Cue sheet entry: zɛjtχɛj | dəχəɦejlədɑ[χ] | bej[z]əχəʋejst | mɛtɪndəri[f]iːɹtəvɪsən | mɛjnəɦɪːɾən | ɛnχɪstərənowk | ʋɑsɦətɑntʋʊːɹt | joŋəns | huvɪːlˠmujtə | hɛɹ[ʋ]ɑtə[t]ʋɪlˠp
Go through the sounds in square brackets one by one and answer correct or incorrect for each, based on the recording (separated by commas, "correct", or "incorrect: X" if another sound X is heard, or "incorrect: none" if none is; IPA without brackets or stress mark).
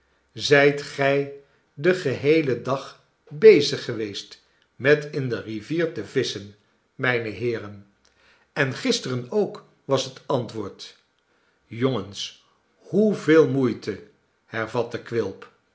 correct, correct, incorrect: v, incorrect: v, incorrect: k